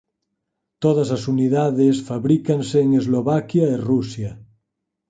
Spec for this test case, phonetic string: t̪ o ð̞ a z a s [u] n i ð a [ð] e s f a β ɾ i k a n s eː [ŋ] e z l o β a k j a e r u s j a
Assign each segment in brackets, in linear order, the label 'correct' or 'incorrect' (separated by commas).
correct, correct, correct